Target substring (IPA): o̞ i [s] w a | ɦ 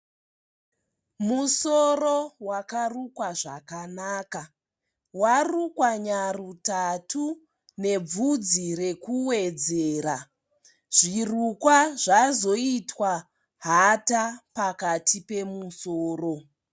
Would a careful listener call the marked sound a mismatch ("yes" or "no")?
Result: yes